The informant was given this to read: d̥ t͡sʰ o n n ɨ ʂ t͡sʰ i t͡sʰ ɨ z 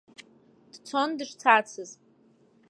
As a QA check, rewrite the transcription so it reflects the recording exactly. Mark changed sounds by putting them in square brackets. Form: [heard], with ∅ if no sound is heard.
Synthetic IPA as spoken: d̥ t͡sʰ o n [d] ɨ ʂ t͡sʰ [a] t͡sʰ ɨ z